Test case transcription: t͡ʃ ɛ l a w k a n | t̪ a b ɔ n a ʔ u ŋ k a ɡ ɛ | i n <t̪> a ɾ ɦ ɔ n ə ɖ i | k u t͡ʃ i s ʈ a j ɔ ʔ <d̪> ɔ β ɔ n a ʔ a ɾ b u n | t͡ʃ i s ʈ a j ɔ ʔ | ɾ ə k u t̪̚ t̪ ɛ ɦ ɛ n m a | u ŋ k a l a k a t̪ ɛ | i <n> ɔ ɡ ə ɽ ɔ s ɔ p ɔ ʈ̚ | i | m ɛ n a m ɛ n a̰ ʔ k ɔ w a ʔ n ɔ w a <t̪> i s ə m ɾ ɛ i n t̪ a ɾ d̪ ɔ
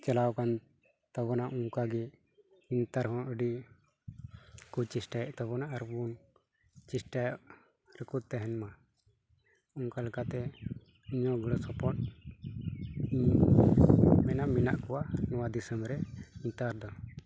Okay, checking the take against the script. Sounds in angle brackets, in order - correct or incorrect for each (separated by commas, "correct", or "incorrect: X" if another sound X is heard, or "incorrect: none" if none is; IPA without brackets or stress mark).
correct, incorrect: t̪, incorrect: ɲ, incorrect: d̪